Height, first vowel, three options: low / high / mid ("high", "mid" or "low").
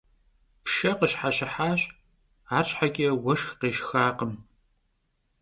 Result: low